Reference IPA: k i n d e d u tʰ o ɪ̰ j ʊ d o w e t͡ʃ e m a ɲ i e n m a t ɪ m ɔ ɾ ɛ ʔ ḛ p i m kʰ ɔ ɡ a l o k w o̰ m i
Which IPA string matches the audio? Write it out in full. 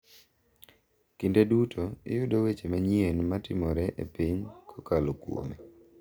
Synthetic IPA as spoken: k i n d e d u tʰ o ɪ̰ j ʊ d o w e t͡ʃ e m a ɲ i e n m a t ɪ m ɔ ɾ ɛ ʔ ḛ p i ɲ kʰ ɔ k a l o k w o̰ m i

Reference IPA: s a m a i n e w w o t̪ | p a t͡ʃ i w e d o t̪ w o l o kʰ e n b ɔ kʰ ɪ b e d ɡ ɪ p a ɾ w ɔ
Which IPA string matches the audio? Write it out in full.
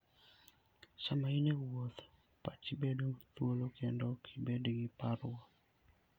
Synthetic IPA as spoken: s a m a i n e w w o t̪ | p a t͡ʃ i b e d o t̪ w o l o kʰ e n d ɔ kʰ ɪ b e d ɡ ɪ p a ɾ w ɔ

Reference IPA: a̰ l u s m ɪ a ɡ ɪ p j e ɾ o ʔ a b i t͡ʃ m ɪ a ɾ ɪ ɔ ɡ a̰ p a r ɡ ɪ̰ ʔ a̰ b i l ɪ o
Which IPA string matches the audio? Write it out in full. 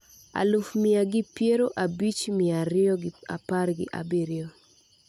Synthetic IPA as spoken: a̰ l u f m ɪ a ɡ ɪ p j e ɾ o ʔ a b i t͡ʃ m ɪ a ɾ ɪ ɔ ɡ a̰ p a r ɡ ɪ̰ ʔ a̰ b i ɾ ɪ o

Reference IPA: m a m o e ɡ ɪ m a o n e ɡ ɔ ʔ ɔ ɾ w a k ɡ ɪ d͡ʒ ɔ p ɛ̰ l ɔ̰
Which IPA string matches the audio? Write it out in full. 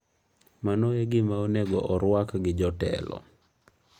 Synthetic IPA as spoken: m a n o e ɡ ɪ m a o n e ɡ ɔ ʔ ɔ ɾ w a k ɡ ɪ d͡ʒ ɔ t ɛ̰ l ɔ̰

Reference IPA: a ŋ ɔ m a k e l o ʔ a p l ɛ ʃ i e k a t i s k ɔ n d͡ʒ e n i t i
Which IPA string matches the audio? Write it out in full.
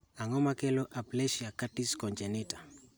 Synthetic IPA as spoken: a ŋ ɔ m a k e l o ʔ a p l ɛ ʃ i a k a t i s k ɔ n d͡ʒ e n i t a

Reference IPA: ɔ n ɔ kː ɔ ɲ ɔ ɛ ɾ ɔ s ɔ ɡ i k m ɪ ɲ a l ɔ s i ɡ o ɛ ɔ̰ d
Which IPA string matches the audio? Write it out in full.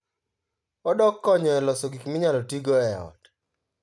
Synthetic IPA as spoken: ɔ d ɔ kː ɔ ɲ ɔ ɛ l ɔ s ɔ ɡ i k m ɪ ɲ a l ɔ t i ɡ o ɛ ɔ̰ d

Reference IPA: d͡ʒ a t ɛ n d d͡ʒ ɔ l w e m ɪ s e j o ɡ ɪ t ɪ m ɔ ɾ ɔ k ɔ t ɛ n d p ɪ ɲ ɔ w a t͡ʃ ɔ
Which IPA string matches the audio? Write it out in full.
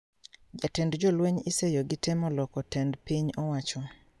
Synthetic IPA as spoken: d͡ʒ a t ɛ n d d͡ʒ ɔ l w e ɲ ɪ s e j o ɡ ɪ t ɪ m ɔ l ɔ k ɔ t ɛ n d p i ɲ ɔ w a t͡ʃ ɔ

